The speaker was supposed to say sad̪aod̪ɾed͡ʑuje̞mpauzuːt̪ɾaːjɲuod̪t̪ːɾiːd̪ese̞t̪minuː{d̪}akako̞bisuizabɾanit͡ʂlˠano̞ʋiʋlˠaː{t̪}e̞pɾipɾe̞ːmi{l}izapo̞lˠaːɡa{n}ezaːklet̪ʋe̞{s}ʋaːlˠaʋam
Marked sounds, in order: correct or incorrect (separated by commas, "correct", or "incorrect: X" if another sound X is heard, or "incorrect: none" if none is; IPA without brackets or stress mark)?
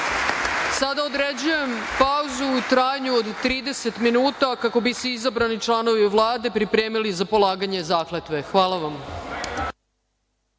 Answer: incorrect: t̪, incorrect: d̪, correct, incorrect: ɲ, incorrect: x